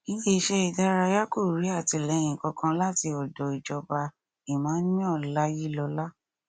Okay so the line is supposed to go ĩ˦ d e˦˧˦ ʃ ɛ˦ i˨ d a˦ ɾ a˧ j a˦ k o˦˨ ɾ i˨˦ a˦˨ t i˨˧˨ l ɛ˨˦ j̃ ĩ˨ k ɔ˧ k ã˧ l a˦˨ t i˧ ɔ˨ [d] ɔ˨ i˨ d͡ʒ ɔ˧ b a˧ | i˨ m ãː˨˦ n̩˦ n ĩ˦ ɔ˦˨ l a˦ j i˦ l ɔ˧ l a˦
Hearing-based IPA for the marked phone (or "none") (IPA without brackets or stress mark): d